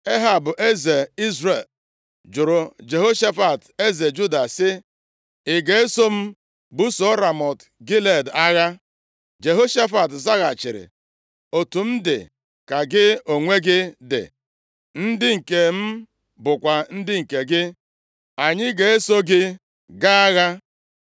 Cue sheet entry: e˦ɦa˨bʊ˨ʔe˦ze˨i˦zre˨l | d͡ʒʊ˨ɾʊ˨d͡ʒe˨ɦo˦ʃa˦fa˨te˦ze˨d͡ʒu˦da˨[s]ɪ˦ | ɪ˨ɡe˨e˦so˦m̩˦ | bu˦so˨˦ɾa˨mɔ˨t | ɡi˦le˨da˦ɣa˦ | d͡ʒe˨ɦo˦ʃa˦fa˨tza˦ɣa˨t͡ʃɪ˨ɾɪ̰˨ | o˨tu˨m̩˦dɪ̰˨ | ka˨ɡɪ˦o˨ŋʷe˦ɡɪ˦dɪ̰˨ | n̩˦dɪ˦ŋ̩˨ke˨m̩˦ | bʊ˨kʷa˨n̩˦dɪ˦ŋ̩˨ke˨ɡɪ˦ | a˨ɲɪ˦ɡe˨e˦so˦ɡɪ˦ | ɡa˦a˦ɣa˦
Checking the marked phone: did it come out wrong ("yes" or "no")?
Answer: no